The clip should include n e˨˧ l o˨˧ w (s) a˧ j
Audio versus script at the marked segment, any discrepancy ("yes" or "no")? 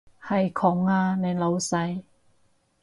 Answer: no